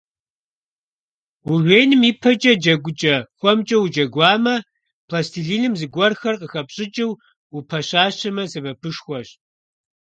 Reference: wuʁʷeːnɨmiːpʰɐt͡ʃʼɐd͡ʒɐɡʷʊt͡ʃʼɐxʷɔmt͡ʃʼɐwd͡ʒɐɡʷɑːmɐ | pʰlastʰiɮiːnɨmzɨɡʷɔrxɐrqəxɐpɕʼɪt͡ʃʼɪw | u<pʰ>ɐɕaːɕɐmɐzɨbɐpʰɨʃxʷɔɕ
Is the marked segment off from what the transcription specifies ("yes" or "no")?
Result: no